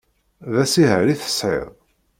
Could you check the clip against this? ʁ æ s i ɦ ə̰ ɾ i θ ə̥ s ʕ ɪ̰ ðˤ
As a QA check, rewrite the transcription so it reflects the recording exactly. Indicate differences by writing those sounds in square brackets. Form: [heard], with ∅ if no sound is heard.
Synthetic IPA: [ð] æ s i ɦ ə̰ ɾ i θ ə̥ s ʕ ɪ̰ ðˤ